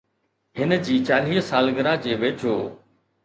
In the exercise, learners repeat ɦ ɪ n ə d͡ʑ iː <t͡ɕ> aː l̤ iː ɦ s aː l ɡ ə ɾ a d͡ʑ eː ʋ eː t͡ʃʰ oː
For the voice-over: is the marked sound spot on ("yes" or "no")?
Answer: yes